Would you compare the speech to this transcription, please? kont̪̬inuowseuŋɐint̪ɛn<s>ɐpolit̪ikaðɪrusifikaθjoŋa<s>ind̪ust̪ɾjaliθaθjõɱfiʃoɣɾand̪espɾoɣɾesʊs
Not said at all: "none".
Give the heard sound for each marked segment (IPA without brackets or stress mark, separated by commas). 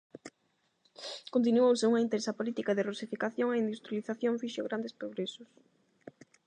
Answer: s, none